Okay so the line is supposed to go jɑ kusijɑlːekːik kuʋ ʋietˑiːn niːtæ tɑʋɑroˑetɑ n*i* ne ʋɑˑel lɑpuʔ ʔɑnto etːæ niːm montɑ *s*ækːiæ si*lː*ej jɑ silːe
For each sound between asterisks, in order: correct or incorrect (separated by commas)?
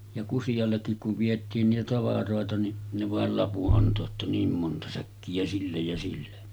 correct, correct, correct